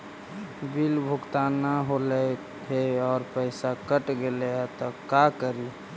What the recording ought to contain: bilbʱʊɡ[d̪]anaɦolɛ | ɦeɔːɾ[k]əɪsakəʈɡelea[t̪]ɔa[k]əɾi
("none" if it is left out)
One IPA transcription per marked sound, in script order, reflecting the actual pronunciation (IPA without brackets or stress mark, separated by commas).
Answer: t̪, p, t̪, k